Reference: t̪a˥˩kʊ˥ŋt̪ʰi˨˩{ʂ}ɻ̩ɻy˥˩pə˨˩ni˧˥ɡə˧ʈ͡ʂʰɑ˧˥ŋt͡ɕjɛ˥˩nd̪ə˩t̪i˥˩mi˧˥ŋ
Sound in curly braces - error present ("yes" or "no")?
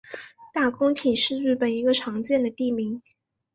no